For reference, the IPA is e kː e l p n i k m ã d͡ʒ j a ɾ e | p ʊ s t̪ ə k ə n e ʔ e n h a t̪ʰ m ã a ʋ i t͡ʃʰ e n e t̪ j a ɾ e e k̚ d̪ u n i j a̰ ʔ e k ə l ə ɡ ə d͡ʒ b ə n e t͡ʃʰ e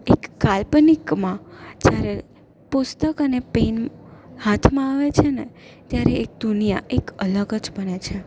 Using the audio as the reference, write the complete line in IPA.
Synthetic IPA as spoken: e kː a l p n i k m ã d͡ʒ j a ɾ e | p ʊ s t̪ ə k ə n e p e n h a t̪ʰ m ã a ʋ e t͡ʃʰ e n e t̪ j a ɾ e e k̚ d̪ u n i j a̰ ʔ e k ə l ə ɡ ə d͡ʒ b ə n e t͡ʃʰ e